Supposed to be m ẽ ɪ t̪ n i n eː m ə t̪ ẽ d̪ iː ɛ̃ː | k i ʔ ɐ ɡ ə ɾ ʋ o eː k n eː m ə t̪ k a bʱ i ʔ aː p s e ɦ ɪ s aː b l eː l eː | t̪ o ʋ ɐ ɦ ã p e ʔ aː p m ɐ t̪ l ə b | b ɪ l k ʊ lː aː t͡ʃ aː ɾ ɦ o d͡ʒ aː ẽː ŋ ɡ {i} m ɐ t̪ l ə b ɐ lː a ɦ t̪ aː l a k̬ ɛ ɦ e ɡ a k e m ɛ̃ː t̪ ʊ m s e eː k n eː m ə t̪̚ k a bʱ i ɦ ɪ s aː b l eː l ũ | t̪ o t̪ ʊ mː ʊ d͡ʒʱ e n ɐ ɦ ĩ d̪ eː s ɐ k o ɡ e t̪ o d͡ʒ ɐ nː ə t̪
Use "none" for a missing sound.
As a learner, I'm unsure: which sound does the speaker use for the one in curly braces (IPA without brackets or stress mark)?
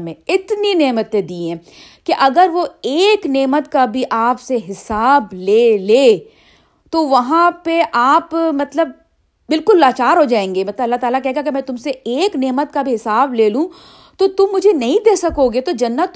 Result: e